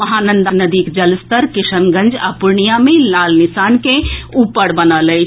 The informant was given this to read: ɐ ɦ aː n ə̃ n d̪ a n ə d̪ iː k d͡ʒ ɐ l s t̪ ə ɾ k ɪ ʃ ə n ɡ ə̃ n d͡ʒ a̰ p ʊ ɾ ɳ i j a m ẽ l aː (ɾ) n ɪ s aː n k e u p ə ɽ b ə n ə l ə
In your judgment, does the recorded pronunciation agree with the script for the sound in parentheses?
no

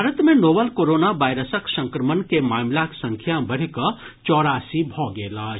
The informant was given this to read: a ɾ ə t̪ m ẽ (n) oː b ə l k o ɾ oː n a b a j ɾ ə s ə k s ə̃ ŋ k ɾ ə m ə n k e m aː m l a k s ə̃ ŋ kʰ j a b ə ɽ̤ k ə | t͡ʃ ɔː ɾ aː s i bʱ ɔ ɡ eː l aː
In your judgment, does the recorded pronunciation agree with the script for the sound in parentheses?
yes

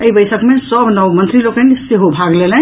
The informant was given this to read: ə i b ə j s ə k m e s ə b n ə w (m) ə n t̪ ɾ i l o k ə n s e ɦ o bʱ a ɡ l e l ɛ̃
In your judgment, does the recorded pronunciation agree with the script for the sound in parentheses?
yes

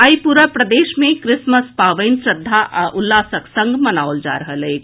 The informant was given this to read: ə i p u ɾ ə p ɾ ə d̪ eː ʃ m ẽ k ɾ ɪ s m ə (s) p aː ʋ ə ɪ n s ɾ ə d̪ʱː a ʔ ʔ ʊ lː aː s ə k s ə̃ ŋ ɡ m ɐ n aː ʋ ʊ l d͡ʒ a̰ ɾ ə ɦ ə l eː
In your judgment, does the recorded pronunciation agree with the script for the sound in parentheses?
yes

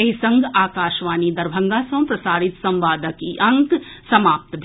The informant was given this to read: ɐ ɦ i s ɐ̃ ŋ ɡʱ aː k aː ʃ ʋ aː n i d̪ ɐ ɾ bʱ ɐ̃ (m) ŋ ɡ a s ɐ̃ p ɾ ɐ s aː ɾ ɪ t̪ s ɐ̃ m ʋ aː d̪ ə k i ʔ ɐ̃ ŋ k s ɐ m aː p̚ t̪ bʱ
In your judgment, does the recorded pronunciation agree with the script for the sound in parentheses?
no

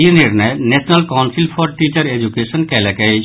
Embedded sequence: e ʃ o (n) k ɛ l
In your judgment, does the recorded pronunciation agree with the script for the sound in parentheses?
yes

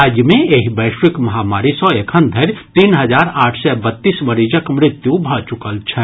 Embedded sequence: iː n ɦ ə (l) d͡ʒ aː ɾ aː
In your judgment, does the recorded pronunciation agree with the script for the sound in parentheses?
no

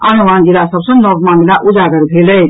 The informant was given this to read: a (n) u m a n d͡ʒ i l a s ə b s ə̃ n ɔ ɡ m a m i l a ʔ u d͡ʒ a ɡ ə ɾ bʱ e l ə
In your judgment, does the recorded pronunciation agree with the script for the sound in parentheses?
yes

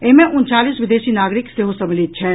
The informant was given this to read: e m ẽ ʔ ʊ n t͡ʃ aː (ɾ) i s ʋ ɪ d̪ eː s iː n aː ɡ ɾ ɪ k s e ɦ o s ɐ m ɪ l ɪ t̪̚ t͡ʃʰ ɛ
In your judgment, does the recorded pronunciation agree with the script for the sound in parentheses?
no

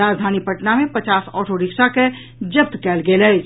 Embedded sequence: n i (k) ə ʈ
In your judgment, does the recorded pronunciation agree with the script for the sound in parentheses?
no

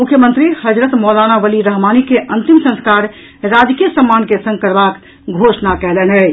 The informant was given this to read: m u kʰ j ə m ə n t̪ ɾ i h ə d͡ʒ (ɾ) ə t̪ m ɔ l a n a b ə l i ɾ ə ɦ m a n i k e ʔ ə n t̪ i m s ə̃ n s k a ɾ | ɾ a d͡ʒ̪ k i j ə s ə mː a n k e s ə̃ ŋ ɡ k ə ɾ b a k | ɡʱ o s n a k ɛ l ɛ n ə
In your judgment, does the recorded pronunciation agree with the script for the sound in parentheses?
yes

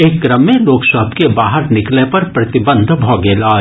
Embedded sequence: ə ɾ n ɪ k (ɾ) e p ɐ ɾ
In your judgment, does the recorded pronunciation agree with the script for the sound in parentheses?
no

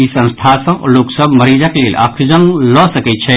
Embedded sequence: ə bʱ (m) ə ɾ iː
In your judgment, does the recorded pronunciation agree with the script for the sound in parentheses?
yes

